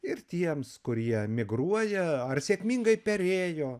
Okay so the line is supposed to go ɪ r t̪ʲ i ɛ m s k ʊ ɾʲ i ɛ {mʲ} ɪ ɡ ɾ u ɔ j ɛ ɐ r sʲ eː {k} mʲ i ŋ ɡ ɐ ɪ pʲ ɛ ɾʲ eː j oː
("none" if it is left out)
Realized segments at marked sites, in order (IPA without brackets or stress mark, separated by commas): mʲ, k